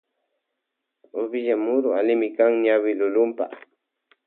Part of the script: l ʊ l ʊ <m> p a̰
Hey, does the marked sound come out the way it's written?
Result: yes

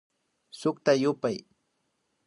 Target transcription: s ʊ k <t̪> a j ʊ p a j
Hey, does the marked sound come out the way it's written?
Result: yes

